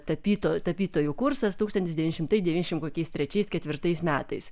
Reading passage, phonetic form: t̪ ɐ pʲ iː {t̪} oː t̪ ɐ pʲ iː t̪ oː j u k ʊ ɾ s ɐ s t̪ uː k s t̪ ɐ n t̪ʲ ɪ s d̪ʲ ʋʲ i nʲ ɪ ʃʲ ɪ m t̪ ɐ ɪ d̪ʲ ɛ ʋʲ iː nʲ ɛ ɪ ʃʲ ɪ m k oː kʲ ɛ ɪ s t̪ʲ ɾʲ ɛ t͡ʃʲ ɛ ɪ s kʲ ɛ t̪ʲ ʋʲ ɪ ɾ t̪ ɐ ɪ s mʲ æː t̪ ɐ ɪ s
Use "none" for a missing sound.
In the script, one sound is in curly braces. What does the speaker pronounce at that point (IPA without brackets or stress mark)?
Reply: t̪